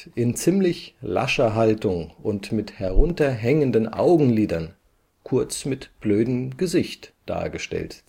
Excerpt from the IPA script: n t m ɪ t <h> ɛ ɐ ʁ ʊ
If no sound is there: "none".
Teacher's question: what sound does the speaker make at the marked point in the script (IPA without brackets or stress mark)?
h